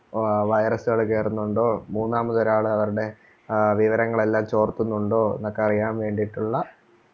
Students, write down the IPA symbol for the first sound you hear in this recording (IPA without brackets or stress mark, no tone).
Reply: ʋ